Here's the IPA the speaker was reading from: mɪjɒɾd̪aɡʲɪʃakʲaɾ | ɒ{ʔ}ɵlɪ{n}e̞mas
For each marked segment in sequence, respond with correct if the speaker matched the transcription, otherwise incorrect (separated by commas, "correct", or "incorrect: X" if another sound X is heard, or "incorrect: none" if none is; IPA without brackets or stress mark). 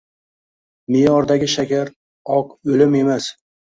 incorrect: q, incorrect: m